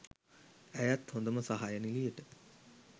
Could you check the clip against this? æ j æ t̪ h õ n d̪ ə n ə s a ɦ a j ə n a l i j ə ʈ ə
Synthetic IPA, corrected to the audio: æ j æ t̪ h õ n d̪ ə m ə s a ɦ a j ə n i l i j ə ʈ ə